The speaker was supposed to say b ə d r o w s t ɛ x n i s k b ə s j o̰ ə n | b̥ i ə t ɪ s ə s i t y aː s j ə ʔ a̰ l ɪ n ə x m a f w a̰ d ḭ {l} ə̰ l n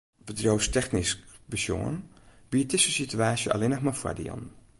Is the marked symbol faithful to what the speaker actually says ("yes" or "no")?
no